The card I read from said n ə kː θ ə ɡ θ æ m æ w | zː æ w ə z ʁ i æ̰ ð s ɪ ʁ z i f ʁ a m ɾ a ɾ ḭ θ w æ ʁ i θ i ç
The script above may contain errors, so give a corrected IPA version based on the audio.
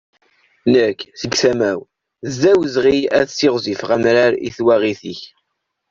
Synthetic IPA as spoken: n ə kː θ ə ɡ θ æ m æ w | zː æ w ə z ʁ i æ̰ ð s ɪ ʁ z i f ʁ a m ɾ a ɾ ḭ θ w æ ʁ i θ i ç